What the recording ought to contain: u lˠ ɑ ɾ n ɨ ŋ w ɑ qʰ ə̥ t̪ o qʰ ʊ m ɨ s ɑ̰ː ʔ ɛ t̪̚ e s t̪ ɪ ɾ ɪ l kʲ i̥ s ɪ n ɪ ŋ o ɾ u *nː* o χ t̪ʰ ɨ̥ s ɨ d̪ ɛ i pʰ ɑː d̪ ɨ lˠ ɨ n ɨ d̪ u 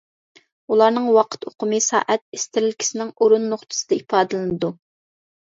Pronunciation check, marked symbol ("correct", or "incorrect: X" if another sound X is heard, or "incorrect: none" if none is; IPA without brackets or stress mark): correct